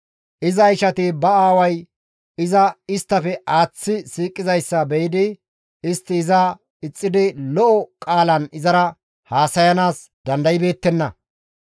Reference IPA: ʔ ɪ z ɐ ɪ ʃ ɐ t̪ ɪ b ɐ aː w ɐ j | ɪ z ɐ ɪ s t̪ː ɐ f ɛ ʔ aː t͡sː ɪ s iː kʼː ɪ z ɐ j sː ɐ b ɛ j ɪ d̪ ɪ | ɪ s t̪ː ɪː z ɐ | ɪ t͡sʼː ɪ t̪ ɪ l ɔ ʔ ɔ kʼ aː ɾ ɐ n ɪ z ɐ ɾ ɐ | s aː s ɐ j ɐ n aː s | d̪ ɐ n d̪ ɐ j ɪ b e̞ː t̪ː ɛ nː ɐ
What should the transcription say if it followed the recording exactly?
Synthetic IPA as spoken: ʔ ɪ z ɐ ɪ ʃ ɐ t̪ ɪ b ɐ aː w ɐ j | ɪ z ɐ ɪ s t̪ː ɐ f ɛ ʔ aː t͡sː ɪ s iː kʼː ɪ z ɐ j sː ɐ b ɛ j ɪ d̪ ɪ | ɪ s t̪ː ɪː z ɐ | ɪ t͡sʼː ɪ d̪ ɪ l ɔ ʔ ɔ kʼ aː l ɐ n ɪ z ɐ ɾ ɐ | h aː s ɐ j ɐ n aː s | d̪ ɐ n d̪ ɐ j ɪ b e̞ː t̪ː ɛ nː ɐ